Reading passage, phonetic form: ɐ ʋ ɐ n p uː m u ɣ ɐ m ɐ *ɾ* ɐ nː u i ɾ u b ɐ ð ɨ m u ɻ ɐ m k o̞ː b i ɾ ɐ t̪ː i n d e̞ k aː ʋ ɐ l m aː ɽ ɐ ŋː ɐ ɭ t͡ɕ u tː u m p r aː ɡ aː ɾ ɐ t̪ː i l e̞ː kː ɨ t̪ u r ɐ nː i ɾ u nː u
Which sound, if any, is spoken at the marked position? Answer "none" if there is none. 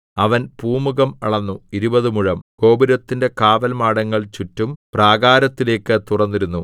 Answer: ɭ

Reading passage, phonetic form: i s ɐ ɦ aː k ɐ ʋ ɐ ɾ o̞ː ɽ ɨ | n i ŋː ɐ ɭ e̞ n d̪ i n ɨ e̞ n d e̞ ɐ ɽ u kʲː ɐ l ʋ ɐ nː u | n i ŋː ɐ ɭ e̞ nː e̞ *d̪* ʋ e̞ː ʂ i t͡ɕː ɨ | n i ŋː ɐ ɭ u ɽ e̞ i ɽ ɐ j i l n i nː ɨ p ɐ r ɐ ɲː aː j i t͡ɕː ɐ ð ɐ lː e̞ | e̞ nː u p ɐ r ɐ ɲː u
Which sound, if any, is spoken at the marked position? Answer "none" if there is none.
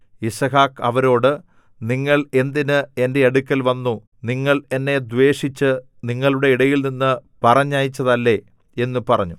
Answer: d̪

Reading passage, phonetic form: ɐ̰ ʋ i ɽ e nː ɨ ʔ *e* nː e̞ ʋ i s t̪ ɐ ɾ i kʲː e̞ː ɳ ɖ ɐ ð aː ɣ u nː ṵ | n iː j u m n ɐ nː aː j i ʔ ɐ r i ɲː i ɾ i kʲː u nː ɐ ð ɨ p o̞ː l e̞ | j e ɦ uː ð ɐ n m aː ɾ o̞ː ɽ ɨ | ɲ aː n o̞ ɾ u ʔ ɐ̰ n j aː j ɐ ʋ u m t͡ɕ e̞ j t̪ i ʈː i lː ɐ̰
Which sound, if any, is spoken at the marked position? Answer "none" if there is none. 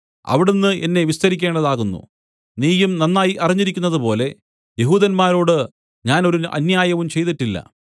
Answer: e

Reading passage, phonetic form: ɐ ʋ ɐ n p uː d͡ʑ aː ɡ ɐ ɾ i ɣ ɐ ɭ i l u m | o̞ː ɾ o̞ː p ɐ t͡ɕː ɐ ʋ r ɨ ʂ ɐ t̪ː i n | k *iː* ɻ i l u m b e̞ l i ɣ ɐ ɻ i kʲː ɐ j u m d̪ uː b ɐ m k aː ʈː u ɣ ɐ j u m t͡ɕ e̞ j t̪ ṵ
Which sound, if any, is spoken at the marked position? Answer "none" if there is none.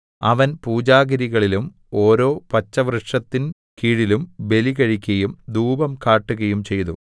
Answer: iː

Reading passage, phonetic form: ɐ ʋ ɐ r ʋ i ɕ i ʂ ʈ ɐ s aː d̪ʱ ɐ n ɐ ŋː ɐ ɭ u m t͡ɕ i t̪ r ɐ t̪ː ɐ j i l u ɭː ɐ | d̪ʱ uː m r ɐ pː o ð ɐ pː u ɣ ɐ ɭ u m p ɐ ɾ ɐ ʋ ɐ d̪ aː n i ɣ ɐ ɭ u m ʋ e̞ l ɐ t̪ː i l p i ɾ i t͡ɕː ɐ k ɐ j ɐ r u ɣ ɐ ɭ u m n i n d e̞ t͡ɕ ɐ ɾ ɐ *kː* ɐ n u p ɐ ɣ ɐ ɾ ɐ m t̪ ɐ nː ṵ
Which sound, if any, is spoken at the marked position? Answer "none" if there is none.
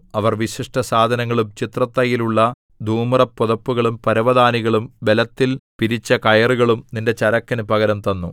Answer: kː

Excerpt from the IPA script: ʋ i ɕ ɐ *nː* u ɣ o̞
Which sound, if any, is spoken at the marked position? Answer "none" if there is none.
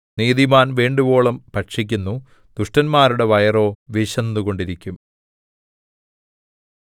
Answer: nː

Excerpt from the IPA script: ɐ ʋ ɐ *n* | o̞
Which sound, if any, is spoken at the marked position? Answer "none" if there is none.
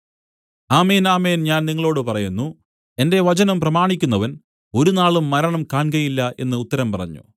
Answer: n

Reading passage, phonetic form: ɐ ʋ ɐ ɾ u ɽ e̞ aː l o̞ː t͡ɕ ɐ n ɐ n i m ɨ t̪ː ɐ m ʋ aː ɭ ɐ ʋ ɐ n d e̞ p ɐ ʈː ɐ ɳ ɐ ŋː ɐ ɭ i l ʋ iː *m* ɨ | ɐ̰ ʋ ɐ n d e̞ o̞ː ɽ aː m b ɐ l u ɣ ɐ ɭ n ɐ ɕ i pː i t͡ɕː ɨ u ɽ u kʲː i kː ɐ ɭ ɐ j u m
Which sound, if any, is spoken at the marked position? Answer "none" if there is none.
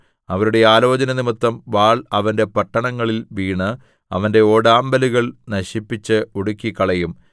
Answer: ɳ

